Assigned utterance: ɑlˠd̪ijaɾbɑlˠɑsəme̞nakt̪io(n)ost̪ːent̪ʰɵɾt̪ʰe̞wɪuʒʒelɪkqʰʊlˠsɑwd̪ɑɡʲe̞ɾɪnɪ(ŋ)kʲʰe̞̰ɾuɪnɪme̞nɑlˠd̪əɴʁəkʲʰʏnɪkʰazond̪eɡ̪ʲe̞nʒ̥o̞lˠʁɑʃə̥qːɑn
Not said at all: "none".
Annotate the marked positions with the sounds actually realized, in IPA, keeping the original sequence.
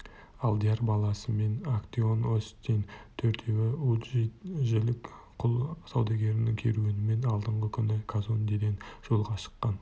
n, ŋ

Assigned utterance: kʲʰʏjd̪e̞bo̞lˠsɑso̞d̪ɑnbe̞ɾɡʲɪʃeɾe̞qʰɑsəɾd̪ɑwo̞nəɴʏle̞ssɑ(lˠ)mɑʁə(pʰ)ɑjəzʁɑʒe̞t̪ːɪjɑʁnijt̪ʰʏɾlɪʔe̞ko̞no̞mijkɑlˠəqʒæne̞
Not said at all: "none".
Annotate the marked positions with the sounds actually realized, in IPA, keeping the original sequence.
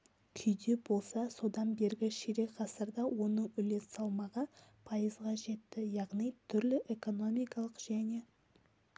lˠ, pʰ

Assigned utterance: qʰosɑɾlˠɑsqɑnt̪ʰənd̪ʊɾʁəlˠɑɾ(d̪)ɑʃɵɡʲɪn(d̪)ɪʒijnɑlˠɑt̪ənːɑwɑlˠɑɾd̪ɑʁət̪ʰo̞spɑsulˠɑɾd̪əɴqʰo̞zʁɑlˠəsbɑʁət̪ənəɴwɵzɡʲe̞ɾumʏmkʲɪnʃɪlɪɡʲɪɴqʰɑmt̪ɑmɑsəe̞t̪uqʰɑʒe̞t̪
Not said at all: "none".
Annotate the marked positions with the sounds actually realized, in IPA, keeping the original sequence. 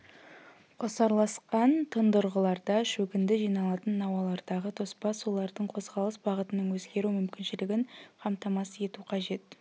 d̪, d̪

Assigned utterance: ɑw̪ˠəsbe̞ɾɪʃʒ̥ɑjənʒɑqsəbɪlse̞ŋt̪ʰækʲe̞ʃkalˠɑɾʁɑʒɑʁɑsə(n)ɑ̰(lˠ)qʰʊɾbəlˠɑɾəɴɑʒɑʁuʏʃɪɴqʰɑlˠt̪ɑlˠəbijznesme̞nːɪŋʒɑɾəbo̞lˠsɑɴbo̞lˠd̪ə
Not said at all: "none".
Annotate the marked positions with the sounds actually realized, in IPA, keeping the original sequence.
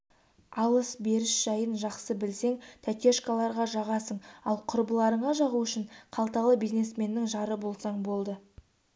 ɴ, lˠ

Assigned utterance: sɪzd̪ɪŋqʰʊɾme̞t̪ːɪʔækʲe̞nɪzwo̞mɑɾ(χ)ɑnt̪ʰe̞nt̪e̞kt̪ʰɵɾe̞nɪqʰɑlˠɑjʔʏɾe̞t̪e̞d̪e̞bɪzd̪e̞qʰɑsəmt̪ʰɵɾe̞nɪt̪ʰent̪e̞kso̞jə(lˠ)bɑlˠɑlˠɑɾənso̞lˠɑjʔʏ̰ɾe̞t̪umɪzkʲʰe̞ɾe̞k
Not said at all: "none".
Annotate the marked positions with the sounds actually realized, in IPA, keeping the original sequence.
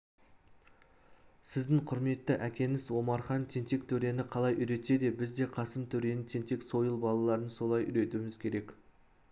χ, lˠ

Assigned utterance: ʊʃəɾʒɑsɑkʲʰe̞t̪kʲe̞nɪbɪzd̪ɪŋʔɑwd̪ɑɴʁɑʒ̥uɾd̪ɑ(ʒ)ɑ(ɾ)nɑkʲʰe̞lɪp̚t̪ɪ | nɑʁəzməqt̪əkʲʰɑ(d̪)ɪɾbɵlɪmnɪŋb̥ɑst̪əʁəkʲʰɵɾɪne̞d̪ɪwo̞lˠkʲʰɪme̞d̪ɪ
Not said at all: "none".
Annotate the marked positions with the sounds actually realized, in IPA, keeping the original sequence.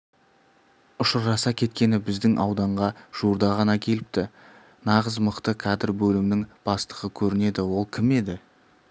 ʁ, none, d̪

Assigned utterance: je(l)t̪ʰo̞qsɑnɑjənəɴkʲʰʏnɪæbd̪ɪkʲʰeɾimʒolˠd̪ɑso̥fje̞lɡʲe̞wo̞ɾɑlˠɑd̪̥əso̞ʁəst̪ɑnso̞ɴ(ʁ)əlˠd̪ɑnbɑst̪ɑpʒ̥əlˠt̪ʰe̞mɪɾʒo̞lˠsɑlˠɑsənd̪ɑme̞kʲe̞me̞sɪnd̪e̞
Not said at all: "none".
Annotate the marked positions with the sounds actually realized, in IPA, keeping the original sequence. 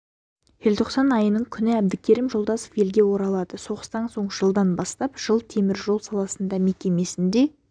l, ʒ

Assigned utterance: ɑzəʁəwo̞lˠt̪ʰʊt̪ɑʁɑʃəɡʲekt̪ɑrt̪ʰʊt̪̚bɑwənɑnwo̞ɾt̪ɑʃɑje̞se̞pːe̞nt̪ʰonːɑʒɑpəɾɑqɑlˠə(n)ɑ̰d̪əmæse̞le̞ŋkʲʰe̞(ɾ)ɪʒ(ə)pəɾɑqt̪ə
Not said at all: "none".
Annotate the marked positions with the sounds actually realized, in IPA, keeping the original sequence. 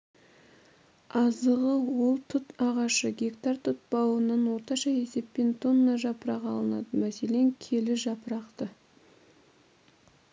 n, l, ɑ

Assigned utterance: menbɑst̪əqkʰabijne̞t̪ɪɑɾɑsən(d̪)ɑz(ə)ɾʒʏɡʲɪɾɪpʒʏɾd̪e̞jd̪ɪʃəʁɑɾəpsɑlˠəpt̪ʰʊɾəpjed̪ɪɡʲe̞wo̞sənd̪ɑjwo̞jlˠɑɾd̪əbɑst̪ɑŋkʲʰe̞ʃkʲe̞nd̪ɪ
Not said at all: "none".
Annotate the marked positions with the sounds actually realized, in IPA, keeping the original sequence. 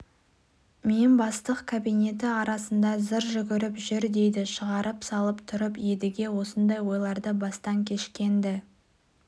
d̪, ə

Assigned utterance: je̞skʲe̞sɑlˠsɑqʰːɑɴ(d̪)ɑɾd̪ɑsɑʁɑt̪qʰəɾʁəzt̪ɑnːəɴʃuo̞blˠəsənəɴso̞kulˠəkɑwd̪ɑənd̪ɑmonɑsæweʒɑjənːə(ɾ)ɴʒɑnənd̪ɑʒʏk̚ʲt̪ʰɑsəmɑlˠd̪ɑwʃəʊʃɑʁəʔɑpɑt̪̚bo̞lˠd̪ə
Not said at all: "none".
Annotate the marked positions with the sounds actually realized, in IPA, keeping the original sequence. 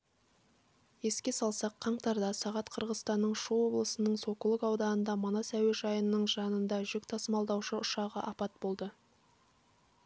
t̪, none

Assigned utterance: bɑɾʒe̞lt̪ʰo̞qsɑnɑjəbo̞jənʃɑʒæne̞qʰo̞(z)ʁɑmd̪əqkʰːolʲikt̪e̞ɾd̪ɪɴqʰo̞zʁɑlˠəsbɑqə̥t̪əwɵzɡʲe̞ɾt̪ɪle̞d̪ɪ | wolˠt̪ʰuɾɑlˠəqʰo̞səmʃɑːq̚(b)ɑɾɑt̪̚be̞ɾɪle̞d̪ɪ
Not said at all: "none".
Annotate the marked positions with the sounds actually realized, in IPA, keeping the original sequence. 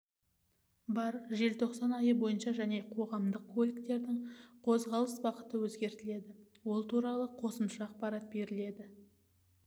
none, p

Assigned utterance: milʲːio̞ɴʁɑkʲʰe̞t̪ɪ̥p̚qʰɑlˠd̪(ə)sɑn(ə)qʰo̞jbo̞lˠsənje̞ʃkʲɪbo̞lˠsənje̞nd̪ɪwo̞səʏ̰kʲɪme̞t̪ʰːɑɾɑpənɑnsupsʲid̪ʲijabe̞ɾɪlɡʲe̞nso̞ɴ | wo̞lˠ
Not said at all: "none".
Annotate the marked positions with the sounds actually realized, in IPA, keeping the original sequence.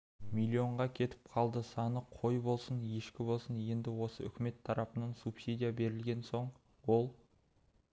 ə, ə

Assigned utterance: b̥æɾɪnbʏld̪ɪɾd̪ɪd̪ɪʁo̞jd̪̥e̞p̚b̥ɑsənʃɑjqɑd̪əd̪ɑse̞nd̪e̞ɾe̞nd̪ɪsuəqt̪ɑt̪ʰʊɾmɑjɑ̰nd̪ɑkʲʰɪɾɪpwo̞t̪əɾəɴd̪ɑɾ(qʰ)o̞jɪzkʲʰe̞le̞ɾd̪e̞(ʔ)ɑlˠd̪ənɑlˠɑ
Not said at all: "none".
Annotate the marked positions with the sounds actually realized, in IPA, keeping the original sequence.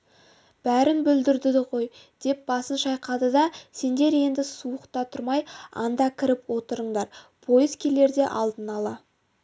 pʰ, ʔ

